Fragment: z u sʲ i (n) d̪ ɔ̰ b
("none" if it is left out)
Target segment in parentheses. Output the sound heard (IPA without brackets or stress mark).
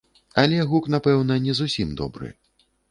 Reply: m